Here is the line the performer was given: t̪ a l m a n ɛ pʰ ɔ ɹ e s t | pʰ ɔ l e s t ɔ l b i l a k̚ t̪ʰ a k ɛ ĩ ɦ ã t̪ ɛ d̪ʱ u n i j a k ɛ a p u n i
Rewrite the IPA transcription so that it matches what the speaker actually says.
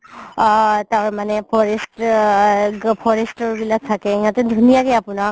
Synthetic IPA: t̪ a ɹ m a n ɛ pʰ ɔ ɹ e s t | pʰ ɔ ɹ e s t ɔ ɹ b i l a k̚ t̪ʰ a k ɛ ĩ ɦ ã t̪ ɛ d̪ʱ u n i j a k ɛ a p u n a